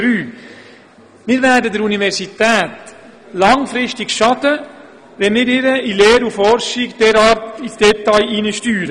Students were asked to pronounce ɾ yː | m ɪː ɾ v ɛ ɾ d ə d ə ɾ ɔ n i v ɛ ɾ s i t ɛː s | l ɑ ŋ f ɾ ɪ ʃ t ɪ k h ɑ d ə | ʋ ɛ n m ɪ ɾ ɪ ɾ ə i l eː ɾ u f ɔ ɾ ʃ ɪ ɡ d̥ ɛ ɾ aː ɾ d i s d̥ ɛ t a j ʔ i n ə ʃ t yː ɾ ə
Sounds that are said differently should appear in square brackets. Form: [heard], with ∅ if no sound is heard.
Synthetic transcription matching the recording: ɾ yː | m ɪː ɾ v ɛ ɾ d ə d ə ɾ [u] n i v ɛ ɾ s i t ɛː [t] | l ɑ ŋ f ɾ ɪ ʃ t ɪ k [ʃ] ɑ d ə | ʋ ɛ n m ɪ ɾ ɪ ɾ ə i l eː ɾ u f ɔ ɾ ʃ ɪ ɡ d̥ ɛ ɾ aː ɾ [t] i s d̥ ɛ t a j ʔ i n ə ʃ t yː ɾ ə